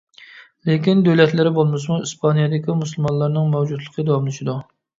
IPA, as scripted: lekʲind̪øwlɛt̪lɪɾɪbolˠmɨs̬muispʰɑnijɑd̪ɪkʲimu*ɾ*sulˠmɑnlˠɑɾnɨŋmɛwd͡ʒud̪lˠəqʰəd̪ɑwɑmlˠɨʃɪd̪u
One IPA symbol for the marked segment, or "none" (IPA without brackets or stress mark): none